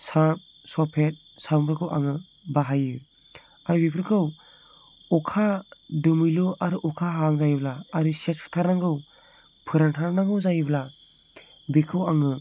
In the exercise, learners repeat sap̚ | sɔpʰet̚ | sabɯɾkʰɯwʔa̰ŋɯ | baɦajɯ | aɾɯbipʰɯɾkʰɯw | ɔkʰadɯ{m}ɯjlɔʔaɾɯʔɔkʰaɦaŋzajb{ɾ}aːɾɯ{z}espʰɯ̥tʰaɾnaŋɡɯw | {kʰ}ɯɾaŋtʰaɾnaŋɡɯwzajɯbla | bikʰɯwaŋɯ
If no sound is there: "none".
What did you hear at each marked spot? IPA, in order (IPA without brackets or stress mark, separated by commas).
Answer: m, l, s, pʰ